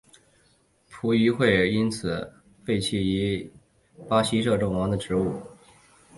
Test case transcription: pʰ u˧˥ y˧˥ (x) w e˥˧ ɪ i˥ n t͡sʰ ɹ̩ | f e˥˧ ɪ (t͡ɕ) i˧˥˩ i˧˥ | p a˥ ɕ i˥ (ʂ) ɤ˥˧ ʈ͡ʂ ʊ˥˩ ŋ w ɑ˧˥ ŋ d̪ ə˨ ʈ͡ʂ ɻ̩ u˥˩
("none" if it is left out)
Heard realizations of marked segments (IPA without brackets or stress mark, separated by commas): x, t͡ɕʰ, ʂ